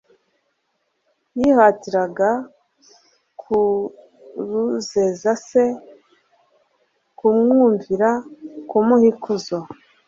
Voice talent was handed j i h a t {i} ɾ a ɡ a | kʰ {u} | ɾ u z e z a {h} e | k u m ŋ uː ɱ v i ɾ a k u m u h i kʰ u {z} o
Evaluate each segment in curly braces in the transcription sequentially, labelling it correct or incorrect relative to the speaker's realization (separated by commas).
correct, correct, incorrect, correct